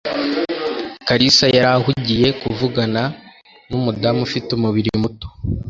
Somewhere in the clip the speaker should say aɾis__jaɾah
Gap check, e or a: a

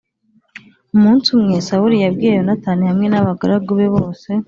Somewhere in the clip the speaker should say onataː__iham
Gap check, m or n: n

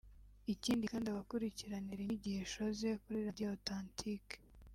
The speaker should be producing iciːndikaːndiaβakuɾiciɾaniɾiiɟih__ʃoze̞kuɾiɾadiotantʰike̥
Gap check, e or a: e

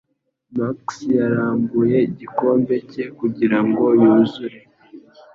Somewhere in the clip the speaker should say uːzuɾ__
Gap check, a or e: e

